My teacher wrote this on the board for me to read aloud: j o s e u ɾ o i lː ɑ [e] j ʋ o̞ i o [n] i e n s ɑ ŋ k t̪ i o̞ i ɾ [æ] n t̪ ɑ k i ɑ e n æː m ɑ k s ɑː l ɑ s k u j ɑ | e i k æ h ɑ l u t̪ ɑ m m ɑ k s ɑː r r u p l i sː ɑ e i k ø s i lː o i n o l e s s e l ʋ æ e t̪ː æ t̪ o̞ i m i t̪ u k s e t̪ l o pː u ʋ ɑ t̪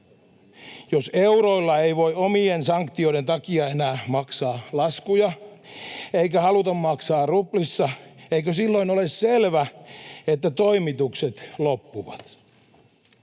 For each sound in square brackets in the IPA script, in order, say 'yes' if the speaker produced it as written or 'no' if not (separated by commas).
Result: yes, no, no